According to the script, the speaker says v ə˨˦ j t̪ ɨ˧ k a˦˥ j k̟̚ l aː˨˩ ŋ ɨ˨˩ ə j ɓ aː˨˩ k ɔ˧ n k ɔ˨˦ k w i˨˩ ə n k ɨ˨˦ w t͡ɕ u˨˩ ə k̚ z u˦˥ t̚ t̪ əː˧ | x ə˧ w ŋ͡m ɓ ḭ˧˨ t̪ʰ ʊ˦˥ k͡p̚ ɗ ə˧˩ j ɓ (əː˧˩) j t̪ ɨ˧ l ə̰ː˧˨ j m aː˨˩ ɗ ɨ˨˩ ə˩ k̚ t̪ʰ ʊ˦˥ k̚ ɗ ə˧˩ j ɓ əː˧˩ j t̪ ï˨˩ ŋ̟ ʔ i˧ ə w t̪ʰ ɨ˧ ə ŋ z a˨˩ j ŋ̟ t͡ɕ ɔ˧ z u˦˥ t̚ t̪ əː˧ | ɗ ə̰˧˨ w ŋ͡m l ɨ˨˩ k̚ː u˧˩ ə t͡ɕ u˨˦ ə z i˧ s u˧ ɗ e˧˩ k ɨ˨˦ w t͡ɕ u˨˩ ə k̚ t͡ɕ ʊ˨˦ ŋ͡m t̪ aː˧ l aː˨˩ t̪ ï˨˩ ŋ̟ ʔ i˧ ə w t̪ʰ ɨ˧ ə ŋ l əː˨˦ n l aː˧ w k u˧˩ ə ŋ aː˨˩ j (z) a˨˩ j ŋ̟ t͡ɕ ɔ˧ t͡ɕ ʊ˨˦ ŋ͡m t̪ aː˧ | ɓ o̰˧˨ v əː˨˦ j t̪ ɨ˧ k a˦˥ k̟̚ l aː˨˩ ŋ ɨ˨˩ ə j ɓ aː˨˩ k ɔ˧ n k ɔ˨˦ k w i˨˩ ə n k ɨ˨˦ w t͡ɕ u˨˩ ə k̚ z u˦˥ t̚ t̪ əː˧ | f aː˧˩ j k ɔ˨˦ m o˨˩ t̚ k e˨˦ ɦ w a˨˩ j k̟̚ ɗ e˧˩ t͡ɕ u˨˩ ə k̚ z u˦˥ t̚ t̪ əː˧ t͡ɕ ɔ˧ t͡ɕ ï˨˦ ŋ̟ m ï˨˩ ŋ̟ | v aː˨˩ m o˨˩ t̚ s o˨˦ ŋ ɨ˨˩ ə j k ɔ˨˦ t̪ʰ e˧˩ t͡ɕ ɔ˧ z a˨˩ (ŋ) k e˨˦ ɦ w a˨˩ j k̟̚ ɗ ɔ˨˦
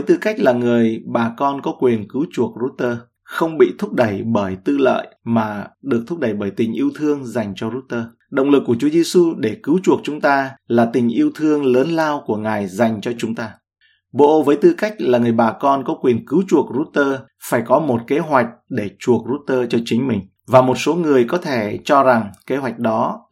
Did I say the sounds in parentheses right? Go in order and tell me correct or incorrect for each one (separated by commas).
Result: correct, correct, correct